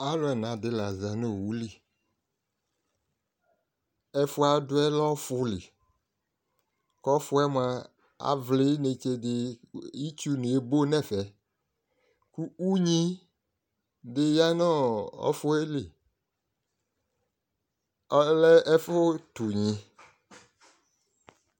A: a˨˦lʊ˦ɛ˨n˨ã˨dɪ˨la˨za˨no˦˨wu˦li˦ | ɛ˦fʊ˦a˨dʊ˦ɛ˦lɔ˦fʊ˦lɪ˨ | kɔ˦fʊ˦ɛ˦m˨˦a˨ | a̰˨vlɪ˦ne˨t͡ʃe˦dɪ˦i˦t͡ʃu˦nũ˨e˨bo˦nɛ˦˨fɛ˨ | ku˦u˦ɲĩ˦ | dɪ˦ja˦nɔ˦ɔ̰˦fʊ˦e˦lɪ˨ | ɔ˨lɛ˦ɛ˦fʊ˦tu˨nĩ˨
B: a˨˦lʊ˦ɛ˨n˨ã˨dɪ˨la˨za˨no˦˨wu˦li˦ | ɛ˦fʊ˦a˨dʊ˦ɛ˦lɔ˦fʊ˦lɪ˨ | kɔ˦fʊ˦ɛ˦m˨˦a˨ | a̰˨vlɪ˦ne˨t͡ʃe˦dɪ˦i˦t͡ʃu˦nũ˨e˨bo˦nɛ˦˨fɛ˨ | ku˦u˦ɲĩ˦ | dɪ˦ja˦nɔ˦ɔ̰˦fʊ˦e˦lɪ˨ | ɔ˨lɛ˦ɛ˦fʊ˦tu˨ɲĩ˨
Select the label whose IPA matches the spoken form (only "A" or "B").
B